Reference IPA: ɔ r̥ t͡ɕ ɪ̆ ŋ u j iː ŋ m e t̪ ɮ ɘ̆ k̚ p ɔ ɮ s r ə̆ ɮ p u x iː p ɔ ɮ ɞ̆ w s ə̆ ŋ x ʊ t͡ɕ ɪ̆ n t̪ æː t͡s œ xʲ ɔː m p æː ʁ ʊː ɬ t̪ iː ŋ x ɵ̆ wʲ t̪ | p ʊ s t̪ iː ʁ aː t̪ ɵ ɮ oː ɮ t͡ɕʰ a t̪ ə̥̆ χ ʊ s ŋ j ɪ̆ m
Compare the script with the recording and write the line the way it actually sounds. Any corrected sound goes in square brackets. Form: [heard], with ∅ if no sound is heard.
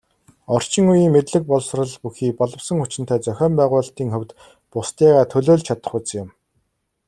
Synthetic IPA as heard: ɔ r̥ t͡ɕ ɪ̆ ŋ u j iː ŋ m e t̪ ɮ ɘ̆ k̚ p ɔ ɮ s r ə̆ ɮ p u x iː p ɔ ɮ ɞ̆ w s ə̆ ŋ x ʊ t͡ɕ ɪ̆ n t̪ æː t͡s œ xʲ ɔː m p æː ʁ ʊː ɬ t̪ iː ŋ x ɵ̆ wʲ t̪ | p ʊ s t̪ iː ʁ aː [t̪ʰ] ɵ ɮ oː ɮ t͡ɕʰ a t̪ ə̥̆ χ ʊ [t͡s] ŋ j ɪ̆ m

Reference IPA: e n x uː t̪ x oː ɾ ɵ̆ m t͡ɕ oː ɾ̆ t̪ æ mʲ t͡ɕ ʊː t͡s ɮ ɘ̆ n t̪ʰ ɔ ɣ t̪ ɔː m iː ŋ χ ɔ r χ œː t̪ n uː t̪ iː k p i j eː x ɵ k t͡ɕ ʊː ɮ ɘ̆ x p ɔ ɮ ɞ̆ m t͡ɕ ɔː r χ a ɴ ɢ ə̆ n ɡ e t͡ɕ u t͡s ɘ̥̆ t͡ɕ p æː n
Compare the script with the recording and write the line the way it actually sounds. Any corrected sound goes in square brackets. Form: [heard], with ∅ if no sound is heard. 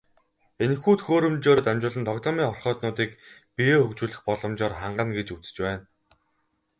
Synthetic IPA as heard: e n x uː t̪ x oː ɾ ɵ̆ m t͡ɕ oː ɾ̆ t̪ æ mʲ t͡ɕ ʊː [∅] ɮ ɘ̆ n t̪ʰ ɔ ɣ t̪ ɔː m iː ŋ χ ɔ r χ œː t̪ n [ʊː] t̪ iː k p i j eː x ɵ k t͡ɕ [uː] ɮ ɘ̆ x p ɔ ɮ ɞ̆ m t͡ɕ ɔː r χ a ɴ ɢ ə̆ n ɡ e t͡ɕ u t͡s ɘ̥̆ t͡ɕ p æː n

